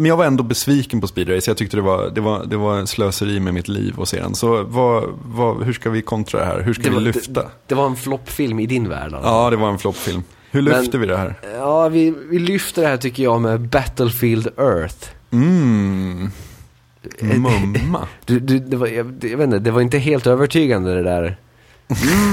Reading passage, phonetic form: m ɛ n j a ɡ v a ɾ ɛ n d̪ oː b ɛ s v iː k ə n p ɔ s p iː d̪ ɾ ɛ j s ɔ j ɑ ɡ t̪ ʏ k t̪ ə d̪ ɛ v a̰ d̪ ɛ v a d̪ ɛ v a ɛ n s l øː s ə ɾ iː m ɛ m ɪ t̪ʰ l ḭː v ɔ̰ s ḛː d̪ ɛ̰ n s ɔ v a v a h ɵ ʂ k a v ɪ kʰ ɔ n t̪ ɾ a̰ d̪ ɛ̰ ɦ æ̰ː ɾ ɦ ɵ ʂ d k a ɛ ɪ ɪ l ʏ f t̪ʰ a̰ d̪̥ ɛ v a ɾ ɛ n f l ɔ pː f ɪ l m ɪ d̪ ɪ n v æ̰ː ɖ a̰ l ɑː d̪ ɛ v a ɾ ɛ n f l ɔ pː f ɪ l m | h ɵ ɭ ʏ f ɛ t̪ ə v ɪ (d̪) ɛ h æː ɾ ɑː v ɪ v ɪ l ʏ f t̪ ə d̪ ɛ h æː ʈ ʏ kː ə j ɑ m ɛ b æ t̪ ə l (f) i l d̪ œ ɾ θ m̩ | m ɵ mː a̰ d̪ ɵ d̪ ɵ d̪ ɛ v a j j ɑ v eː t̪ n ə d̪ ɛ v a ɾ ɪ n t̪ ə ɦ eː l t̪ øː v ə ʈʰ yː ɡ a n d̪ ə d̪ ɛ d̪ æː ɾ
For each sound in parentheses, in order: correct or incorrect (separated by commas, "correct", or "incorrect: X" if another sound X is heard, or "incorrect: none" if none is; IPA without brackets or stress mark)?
correct, correct